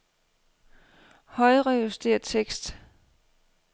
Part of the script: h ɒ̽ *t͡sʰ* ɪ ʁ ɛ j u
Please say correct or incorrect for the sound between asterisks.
incorrect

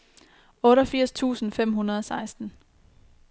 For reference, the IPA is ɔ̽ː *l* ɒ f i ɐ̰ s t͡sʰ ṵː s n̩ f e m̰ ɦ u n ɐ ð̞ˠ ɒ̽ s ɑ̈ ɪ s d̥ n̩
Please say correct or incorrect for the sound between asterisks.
incorrect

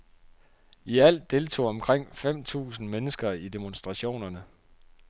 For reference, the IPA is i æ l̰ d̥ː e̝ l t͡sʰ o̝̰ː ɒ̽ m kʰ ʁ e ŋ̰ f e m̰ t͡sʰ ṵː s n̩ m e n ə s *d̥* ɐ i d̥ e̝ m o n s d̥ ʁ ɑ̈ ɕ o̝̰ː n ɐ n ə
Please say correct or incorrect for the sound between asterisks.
incorrect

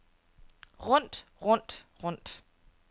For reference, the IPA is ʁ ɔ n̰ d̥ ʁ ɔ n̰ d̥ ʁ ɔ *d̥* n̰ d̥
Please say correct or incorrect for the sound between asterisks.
incorrect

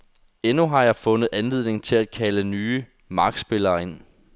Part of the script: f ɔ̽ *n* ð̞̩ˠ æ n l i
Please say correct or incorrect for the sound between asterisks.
correct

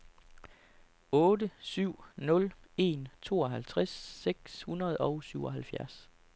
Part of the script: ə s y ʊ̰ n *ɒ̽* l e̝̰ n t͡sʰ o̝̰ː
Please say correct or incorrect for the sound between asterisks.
incorrect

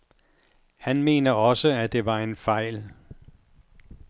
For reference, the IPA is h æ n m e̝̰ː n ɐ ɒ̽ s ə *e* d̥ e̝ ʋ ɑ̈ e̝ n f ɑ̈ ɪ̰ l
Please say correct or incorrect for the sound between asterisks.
incorrect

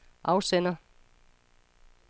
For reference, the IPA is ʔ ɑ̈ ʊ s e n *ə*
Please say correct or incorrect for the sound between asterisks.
incorrect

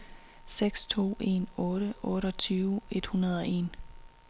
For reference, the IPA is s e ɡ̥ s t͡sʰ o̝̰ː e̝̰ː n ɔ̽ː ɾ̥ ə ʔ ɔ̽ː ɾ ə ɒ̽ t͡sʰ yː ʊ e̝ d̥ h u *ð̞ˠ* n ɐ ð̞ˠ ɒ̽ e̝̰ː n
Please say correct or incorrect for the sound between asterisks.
incorrect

